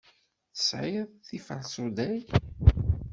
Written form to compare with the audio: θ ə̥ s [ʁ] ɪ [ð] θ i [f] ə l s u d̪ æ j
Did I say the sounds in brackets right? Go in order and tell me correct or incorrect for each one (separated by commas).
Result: incorrect, correct, correct